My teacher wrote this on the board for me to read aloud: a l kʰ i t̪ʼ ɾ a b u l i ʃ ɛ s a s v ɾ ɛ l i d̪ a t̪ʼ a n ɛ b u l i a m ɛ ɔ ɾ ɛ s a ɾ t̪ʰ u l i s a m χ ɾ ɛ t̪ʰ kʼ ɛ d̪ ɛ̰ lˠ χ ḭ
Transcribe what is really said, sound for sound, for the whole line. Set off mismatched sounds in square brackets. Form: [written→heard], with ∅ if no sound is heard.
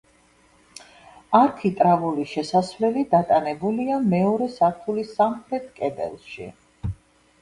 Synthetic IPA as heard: a [l→ɾ] kʰ i t̪ʼ ɾ a [b→v] u l i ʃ ɛ s a s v [ɾ→l] ɛ l i d̪ a t̪ʼ a n ɛ b u l i a m ɛ ɔ ɾ ɛ s a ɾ t̪ʰ u l i s a m χ ɾ ɛ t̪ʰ kʼ ɛ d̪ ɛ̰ lˠ [χ→ʃ] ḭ